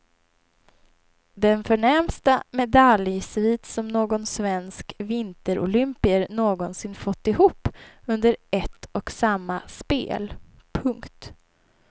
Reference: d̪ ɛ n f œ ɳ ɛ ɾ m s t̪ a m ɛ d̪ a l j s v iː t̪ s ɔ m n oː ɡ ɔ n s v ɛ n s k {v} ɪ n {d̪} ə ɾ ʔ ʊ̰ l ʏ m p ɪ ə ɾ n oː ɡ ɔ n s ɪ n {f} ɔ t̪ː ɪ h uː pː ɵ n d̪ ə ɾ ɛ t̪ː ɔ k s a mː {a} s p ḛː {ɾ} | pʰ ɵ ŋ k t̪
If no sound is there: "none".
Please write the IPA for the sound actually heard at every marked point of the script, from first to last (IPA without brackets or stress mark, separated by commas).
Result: v, t̪, f, a, l